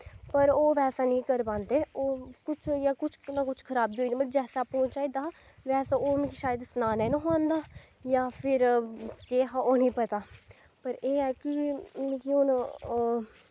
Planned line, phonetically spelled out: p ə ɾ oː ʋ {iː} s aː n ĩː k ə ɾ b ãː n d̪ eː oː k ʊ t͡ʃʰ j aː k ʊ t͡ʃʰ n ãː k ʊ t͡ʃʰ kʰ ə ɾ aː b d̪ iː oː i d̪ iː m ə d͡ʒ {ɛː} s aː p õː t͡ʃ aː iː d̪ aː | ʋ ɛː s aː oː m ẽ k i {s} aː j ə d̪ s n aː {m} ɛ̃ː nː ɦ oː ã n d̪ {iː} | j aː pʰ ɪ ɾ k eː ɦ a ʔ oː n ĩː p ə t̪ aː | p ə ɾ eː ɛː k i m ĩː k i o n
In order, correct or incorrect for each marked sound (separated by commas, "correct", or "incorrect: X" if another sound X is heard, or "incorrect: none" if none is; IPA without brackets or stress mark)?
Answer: incorrect: ɛː, correct, incorrect: ʃ, incorrect: n, incorrect: aː